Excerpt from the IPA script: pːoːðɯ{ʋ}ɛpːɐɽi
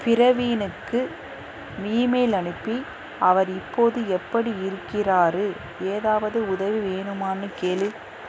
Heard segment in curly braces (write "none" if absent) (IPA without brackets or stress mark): none